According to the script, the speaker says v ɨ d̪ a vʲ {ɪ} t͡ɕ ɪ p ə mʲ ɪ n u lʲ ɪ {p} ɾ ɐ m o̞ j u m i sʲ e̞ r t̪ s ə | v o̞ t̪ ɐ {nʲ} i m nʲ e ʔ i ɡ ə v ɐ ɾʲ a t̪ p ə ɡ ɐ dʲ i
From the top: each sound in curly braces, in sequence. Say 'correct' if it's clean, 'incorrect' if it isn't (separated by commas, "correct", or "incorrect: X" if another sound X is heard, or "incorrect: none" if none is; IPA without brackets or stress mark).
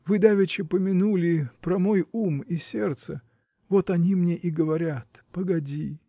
correct, correct, correct